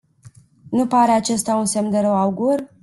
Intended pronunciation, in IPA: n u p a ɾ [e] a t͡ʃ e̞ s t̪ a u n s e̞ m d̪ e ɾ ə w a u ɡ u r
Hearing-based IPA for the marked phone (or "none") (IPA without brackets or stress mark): e